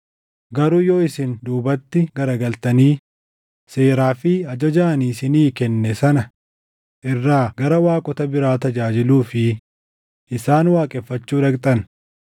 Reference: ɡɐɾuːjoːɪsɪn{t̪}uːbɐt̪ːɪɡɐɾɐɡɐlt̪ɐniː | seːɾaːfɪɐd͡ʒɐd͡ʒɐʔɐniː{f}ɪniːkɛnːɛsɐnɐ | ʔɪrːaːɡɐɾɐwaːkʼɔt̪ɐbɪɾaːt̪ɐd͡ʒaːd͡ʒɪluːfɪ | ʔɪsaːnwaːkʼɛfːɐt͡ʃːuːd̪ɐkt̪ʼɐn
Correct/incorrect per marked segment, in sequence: incorrect: d̪, incorrect: s

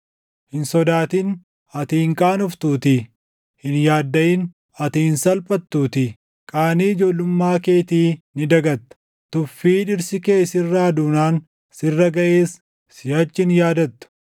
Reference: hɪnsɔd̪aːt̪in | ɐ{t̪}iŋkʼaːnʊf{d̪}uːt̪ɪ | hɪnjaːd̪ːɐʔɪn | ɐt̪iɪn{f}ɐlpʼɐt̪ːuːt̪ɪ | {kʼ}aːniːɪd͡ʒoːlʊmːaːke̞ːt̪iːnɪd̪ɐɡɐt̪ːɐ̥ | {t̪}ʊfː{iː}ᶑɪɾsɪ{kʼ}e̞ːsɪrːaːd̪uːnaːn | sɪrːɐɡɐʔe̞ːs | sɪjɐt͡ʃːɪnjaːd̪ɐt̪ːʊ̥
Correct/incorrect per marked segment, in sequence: correct, incorrect: t̪, incorrect: s, correct, correct, correct, incorrect: k

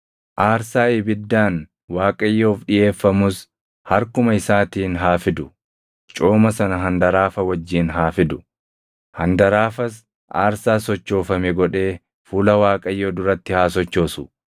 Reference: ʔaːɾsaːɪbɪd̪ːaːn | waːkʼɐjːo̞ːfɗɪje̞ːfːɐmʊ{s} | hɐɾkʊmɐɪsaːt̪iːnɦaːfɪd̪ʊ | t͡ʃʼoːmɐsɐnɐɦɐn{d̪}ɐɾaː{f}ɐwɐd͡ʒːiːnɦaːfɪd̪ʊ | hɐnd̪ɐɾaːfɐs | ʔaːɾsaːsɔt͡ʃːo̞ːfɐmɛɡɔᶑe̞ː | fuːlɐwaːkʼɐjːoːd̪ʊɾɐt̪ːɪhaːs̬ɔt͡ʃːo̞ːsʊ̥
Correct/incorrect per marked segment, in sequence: correct, correct, correct

